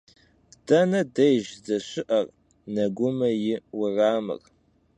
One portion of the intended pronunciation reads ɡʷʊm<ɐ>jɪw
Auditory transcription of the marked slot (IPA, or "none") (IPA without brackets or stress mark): ɐ